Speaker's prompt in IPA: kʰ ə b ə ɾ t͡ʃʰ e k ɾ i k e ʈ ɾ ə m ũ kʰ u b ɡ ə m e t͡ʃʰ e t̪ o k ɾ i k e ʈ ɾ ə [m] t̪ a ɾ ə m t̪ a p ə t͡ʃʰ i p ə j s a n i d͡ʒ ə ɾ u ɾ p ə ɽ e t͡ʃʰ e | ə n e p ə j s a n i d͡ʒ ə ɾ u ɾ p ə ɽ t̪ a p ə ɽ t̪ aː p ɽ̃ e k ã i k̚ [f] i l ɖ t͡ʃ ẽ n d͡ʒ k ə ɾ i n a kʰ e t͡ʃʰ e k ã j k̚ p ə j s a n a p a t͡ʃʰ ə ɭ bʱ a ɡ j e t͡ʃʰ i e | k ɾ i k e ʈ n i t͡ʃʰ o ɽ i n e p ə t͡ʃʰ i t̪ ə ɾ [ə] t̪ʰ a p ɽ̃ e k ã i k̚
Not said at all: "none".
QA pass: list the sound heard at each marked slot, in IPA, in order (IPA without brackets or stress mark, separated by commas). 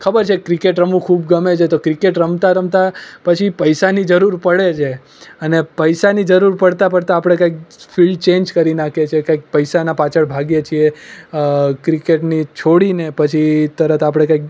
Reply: m, f, ə